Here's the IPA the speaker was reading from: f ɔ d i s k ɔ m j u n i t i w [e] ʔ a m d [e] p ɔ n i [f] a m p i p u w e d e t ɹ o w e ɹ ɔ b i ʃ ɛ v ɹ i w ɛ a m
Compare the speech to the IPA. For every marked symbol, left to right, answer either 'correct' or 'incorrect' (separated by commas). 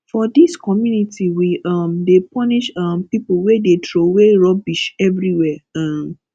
incorrect, correct, incorrect